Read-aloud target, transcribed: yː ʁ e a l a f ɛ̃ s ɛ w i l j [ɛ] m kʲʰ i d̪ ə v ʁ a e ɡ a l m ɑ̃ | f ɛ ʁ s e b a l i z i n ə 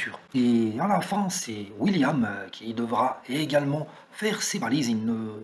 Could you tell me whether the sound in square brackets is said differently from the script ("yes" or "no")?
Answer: yes